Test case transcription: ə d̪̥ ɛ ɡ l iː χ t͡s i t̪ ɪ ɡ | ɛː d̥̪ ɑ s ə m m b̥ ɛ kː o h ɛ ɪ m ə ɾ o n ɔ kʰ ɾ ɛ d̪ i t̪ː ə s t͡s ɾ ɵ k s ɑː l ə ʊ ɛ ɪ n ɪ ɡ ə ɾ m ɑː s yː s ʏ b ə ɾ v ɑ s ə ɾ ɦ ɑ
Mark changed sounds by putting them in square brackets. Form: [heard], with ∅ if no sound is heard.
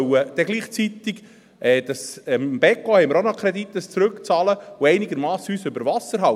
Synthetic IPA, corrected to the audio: ə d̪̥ ɛ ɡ l iː χ t͡s i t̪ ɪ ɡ | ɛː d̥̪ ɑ s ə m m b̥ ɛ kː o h ɛ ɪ m ə ɾ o n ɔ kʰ ɾ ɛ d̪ i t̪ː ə s t͡s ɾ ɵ k [t͡s] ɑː l ə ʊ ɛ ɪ n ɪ ɡ ə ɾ m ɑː s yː s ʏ b ə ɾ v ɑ s ə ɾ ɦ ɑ